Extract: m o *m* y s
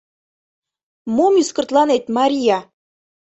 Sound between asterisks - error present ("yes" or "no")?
no